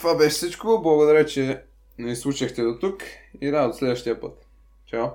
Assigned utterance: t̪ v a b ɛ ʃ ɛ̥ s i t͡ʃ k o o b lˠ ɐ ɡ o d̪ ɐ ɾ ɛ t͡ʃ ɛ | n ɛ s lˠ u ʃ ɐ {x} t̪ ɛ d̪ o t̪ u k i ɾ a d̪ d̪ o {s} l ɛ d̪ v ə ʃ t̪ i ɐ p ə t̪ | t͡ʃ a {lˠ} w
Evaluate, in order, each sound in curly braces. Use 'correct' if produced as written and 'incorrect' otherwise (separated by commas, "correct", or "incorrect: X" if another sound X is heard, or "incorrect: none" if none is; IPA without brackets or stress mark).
correct, correct, incorrect: none